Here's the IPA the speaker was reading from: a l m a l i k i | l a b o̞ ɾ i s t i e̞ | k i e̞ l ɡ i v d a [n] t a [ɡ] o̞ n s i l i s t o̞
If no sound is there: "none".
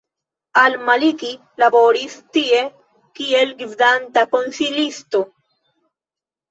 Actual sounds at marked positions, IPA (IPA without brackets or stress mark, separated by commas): n, k